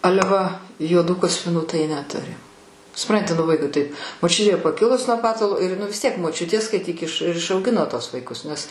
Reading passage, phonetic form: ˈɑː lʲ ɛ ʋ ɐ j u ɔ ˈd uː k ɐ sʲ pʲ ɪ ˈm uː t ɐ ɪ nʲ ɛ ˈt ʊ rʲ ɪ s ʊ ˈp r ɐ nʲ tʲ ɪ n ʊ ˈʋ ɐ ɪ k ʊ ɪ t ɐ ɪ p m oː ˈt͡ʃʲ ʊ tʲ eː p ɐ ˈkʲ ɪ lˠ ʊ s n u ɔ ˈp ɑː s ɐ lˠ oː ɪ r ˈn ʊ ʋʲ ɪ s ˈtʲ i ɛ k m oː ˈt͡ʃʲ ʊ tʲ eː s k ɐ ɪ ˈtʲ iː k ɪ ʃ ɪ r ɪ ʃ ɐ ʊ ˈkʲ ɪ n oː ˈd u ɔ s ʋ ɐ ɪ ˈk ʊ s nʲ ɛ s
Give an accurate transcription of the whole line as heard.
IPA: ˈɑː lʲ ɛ ʋ ɐ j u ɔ ˈd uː k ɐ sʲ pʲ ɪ ˈn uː t ɐ ɪ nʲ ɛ ˈt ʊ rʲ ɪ s ʊ ˈp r ɐ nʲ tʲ ɪ n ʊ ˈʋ ɐ ɪ k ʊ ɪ t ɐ ɪ p m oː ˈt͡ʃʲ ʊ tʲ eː p ɐ ˈkʲ ɪ lˠ ʊ s n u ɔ ˈp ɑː t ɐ lˠ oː ɪ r ˈn ʊ ʋʲ ɪ s ˈtʲ i ɛ k m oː ˈt͡ʃʲ ʊ tʲ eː s k ɐ ɪ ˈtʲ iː k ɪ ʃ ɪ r ɪ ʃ ɐ ʊ ˈɡʲ ɪ n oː ˈt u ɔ s ʋ ɐ ɪ ˈk ʊ s nʲ ɛ s